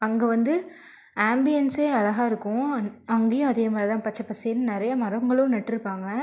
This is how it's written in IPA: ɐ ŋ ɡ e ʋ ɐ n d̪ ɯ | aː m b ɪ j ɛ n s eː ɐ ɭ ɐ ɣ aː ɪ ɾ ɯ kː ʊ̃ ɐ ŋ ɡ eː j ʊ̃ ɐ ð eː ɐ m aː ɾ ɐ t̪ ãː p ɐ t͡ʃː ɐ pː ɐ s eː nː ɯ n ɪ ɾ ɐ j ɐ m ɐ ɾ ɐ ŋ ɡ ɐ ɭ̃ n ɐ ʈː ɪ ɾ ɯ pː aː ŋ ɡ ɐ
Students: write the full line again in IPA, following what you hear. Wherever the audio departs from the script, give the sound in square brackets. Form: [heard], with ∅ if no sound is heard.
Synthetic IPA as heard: ɐ ŋ ɡ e ʋ ɐ n d̪ ɯ | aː m b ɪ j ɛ n s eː ɐ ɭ ɐ ɣ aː ɪ ɾ ɯ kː ʊ̃ ɐ ŋ ɡ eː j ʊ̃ ɐ ð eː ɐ m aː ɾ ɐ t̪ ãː p ɐ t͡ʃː ɐ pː ɐ s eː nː ɯ n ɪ ɾ ɐ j ɐ m ɐ ɾ ɐ ŋ ɡ ɐ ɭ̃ n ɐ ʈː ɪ ɾ ɯ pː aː ŋ ɡ ɐ